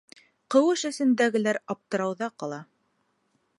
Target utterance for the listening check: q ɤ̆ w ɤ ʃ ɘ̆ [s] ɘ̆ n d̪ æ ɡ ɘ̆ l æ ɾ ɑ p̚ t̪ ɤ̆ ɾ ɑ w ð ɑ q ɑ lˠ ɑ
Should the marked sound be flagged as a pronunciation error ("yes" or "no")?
no